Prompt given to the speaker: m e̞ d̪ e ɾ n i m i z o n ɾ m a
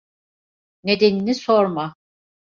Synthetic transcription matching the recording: n e̞ d̪ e n i n i s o ɾ m a